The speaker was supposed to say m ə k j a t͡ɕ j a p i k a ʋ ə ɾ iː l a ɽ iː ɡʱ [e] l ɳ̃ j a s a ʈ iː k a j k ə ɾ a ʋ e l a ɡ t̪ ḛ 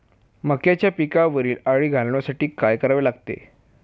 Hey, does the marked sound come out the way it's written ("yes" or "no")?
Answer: no